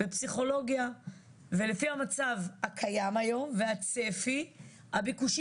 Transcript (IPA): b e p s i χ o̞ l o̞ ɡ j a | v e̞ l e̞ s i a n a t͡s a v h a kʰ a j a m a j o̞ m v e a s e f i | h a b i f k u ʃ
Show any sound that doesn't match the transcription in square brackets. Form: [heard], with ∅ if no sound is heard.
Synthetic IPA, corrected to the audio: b e p s i χ o̞ l o̞ ɡ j a | v e̞ l e̞ [f] i a [m] a t͡s a v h a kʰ a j a m a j o̞ m v e a [t͡s] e f i | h a b i [∅] k u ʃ